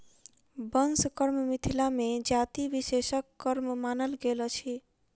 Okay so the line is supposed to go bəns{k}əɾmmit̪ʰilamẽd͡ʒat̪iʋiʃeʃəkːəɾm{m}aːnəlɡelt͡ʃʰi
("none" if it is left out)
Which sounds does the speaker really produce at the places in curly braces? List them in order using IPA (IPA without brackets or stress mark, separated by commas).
k, m